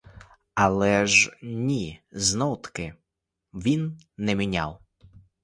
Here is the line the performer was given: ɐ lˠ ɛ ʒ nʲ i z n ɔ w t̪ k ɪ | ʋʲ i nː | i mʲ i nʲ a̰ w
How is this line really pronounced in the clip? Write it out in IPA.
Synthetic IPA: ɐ lˠ ɛ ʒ nʲ i z n ɔ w t̪ k ɪ | ʋʲ i nː | ɛ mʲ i nʲ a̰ w

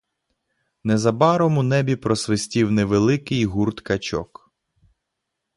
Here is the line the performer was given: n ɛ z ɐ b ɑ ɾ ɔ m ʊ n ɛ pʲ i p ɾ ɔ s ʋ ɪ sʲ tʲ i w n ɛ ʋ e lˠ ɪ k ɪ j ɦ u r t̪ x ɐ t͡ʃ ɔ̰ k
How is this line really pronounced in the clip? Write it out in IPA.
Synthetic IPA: n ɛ z ɐ b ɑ ɾ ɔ m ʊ n ɛ bʲ i p ɾ ɔ s ʋ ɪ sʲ tʲ i w n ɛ ʋ e lˠ ɪ k ɪ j ɦ u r t̪ k ɐ t͡ʃ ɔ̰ k

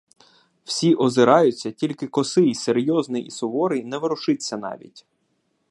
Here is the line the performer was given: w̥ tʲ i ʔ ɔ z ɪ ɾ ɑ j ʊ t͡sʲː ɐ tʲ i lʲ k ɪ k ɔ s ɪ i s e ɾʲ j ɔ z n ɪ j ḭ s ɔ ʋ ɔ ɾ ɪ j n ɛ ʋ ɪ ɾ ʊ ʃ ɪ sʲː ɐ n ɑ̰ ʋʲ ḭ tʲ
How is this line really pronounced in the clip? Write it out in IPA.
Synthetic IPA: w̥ sʲ i ʔ ɔ z ɪ ɾ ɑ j ʊ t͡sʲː ɐ tʲ i lʲ k ɪ k ɔ s ɪ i s e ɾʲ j ɔ z n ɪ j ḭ s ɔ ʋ ɔ ɾ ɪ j n ɛ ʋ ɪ ɾ ʊ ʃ ɪ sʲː ɐ n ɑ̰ ʋʲ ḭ tʲ

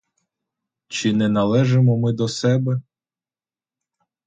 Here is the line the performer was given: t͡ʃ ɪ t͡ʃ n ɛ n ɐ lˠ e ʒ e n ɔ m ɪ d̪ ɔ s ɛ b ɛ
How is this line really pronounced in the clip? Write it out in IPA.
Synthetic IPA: t͡ʃ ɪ n ɛ n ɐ lˠ ɛ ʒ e m ɔ m ɪ d̪ ɔ s ɛ b ɛ

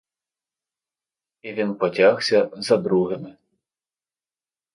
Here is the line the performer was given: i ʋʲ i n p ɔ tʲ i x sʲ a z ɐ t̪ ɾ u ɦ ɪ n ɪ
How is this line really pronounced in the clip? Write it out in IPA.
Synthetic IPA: i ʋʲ i n p ɔ tʲ a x sʲ ɐ z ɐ d̪ ɾ u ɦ ɪ m ɪ

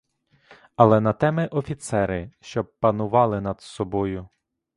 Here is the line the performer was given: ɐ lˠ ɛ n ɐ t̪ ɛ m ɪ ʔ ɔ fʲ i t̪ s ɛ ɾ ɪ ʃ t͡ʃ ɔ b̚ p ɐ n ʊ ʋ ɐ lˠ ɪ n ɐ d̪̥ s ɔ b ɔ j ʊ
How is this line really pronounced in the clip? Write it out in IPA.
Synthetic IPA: ɐ lˠ ɛ n ɐ t̪ ɛ m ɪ ʔ ɔ fʲ i t̪ s ɛ ɾ ɪ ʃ t͡ʃ ɔ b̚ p ɐ n ʊ ʋ ɑ lˠ ɪ n ɐ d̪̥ s ɔ b ɔ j ʊ

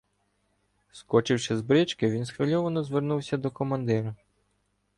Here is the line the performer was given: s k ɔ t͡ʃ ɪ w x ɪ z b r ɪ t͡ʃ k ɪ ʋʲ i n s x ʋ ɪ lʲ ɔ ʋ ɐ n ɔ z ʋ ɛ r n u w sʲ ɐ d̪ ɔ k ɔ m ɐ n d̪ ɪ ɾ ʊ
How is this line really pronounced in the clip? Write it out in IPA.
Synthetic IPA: s k ɔ t͡ʃ ɪ w ʃ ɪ z b ɾ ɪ t͡ʃ k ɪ ʋʲ i n s x ʋ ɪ lʲ ɔ ʋ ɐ n ɔ z ʋ e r n u w sʲ ɐ d̪ ɔ k ɔ m ɐ n d̪ ɪ ɾ ʊ

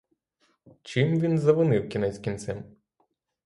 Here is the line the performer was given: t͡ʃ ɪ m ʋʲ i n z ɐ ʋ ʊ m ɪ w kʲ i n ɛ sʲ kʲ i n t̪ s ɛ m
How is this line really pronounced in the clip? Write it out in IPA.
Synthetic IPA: t͡ʃ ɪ m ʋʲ i n z ɐ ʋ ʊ n ɪ w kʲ i n ɛ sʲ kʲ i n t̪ s ɛ m

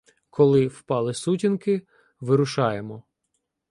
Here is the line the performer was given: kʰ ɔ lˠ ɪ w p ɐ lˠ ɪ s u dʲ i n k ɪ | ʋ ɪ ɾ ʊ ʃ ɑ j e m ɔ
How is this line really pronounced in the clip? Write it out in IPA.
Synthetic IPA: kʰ ɔ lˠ ɪ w p ɑ lˠ ɪ s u tʲ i n k ɪ | ʋ ɪ ɾ ʊ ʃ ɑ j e m ɔ

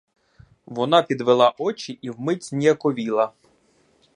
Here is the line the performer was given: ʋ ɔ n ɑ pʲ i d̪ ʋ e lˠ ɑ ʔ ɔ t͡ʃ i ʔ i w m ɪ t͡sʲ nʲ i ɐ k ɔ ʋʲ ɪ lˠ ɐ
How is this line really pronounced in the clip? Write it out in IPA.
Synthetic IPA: ʋ ɔ n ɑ pʲ i d̪ ʋ e lˠ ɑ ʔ ɔ t͡ʃ i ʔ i w m ɪ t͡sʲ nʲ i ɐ k ɔ ʋʲ i lˠ ɐ

